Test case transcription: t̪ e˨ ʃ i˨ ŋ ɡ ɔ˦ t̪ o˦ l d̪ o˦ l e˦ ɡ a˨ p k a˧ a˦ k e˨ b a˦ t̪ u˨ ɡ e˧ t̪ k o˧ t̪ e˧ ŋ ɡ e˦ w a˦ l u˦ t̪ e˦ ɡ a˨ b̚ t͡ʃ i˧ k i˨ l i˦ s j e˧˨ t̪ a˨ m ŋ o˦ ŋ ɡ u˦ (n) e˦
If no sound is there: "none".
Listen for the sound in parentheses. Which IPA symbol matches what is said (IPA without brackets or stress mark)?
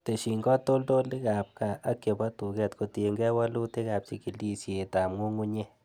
ɲ